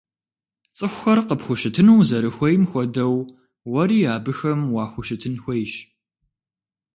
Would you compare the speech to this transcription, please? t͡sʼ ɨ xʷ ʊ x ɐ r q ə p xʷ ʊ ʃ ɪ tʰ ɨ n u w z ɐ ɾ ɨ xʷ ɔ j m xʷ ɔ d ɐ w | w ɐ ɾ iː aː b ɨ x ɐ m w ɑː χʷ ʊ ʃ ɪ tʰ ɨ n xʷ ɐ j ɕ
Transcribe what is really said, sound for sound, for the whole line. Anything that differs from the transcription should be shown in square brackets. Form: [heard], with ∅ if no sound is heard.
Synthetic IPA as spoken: t͡sʼ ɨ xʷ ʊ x ɐ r q ə p xʷ ʊ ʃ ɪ tʰ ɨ n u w z ɐ ɾ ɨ xʷ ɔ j m xʷ ɔ d ɐ w | w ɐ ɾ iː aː b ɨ x ɐ m w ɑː [xʷ] ʊ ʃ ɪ tʰ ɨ n xʷ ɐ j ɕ